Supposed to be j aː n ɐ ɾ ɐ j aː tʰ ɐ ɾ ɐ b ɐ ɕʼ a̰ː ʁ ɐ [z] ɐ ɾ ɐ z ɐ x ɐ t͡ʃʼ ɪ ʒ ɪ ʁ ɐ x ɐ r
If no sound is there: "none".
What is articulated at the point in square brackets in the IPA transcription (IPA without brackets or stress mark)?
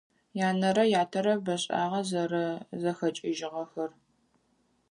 z